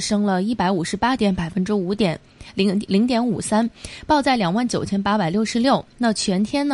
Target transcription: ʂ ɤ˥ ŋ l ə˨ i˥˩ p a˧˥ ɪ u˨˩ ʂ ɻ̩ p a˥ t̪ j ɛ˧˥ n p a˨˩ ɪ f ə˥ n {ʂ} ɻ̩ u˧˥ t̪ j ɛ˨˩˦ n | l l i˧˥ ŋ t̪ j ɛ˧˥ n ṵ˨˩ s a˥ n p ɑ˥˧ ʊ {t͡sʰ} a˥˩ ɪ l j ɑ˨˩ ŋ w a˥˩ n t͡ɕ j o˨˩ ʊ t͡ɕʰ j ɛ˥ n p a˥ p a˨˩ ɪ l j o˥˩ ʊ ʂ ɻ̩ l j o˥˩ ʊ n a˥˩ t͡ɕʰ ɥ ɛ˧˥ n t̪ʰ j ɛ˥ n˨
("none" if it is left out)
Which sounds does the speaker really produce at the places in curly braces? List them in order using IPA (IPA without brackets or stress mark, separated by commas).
ʈ͡ʂ, t͡s